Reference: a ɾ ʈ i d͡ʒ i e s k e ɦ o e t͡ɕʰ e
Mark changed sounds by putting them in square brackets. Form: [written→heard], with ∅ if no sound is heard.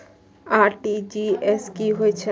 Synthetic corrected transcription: a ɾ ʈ i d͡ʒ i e s k [e→i] ɦ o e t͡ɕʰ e

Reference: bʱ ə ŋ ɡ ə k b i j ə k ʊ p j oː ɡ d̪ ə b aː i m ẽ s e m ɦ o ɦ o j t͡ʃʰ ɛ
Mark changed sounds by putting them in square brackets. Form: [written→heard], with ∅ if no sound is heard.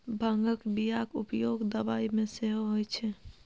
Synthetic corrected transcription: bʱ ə ŋ ɡ ə k b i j [ə→a] k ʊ p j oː ɡ d̪ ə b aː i m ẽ s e [m→∅] ɦ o ɦ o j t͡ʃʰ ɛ

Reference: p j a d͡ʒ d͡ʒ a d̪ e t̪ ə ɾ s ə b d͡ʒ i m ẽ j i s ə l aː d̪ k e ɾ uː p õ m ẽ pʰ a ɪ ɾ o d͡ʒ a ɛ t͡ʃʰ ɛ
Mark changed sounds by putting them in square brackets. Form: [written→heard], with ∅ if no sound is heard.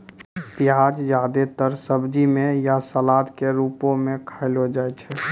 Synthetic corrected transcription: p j a d͡ʒ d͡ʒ a d̪ e t̪ ə ɾ s ə b d͡ʒ i m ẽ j [i→a] s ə l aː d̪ k e ɾ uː p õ m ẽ [pʰ→kʰ] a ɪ [ɾ→l] o d͡ʒ a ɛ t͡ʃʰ ɛ

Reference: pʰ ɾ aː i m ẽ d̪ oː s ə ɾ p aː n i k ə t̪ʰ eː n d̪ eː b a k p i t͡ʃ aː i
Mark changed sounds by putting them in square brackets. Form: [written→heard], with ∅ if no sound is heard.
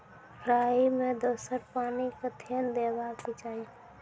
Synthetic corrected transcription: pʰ ɾ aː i m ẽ d̪ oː s ə ɾ p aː n i k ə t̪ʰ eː n d̪ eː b a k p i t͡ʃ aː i

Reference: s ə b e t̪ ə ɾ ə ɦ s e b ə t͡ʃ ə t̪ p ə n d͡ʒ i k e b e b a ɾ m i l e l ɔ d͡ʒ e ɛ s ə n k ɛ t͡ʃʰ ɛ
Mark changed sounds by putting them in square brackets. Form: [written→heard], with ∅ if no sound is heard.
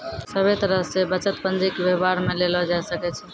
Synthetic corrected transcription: s ə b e t̪ ə ɾ ə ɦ s e b ə t͡ʃ ə t̪ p ə n d͡ʒ i k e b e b a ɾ m [i→e] l e l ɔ d͡ʒ [e→a] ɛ s ə [n→∅] k ɛ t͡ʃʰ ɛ

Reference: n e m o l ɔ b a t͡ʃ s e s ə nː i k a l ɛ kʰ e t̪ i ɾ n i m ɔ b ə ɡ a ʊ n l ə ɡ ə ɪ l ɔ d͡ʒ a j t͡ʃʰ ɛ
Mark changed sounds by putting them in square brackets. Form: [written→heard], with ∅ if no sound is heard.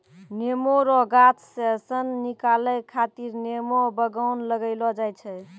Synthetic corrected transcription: n e m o [l→ɾ] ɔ [b→ɡ] a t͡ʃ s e s ə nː i k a l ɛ kʰ [e→a] t̪ i ɾ n [i→e] m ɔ b ə ɡ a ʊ n l ə ɡ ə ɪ l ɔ d͡ʒ a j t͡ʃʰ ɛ

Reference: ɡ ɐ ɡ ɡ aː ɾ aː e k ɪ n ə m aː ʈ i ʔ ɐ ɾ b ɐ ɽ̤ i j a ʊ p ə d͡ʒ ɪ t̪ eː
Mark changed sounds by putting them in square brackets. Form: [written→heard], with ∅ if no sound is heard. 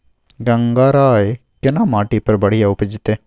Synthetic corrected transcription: ɡ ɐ [ɡ→ŋ] ɡ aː ɾ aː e k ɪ n [ə→a] m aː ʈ i [ʔ→p] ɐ ɾ b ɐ ɽ̤ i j a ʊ p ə d͡ʒ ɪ t̪ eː

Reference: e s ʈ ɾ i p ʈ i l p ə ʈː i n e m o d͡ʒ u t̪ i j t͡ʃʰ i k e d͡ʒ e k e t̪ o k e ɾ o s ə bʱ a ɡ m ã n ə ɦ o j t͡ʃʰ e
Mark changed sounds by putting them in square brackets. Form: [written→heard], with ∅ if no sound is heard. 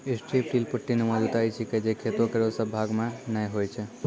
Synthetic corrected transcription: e s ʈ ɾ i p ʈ i l p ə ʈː i n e m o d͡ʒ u t̪ [i→a] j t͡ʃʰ i k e d͡ʒ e [k→kʰ] e t̪ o k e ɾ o s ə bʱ a ɡ m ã n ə ɦ o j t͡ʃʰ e

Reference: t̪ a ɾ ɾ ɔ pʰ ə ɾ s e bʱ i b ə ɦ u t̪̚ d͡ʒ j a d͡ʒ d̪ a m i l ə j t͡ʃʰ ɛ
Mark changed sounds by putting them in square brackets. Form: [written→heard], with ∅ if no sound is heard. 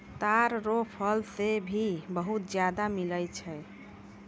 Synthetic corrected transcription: t̪ a ɾ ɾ [ɔ→o] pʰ ə [ɾ→l] s e bʱ i b ə ɦ u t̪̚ d͡ʒ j a [d͡ʒ→∅] d̪ a m i l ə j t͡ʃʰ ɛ

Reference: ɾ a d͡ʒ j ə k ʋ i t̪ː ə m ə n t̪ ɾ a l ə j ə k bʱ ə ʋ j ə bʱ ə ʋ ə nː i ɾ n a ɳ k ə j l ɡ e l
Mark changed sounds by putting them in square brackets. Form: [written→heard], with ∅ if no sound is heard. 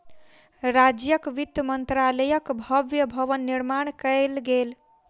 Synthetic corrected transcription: ɾ a d͡ʒ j ə k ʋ i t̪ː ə m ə n t̪ ɾ a l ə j ə k bʱ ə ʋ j ə bʱ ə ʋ ə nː i ɾ [n→m] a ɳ k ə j l ɡ e l

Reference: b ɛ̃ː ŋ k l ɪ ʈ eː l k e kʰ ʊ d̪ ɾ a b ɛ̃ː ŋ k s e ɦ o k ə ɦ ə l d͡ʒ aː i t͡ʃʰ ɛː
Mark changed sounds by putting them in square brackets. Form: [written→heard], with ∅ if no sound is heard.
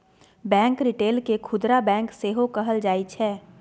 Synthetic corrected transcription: b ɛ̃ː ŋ k [l→ɾ] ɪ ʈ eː l k e kʰ ʊ d̪ ɾ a b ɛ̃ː ŋ k s e ɦ o k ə ɦ ə l d͡ʒ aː i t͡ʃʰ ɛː

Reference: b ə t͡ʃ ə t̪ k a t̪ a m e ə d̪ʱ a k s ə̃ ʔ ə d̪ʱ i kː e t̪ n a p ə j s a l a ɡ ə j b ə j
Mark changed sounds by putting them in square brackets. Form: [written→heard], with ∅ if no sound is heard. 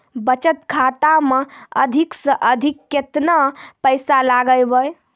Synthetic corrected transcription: b ə t͡ʃ ə t̪ [k→kʰ] a t̪ a m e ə d̪ʱ [a→i] k s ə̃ ʔ ə d̪ʱ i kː e t̪ n a p ə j s a l a ɡ ə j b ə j

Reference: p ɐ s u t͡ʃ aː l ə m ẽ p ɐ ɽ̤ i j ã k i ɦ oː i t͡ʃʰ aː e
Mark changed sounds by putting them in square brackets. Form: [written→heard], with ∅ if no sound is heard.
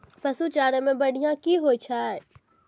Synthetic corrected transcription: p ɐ s u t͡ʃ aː [l→ɾ] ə m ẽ [p→b] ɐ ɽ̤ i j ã k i ɦ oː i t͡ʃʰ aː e

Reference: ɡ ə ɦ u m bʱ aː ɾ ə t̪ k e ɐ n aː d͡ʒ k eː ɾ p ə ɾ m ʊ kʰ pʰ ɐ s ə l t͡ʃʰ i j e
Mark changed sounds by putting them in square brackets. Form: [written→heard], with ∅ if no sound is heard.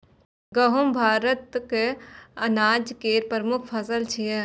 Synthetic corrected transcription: ɡ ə ɦ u m bʱ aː ɾ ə t̪ k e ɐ n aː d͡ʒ k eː ɾ p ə ɾ m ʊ kʰ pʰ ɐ s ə l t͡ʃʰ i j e

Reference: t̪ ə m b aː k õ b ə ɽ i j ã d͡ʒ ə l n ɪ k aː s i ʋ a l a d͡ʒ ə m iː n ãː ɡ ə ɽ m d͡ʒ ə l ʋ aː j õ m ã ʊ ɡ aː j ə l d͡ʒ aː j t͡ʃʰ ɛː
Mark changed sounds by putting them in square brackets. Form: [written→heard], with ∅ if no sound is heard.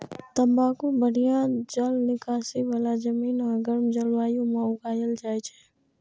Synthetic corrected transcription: t̪ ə m b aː k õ b ə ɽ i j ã d͡ʒ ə l n ɪ k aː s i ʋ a l a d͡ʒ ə m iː n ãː ɡ ə [ɽ→ɾ] m d͡ʒ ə l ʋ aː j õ m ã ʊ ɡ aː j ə l d͡ʒ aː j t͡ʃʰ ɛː

